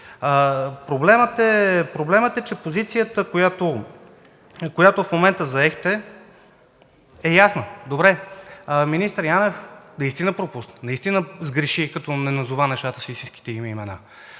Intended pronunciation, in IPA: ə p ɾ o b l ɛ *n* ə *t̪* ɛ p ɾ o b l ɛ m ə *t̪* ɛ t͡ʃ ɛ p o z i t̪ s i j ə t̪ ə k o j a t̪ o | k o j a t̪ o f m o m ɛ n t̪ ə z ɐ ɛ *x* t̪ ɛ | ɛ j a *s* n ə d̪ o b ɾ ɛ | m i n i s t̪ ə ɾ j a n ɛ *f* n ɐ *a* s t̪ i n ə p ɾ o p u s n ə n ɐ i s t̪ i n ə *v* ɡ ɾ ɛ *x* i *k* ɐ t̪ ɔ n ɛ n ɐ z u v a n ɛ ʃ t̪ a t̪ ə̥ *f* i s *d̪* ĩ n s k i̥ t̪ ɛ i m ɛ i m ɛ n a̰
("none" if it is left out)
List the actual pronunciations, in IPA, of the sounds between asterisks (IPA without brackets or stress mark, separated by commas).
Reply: m, t̪, t̪, x, s, f, i, z, ʃ, k, s, t̪